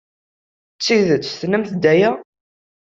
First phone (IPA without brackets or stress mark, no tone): t͡sː